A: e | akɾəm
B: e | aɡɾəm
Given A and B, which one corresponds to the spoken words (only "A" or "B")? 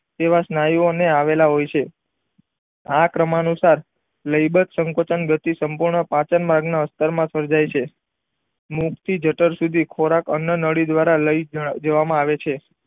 A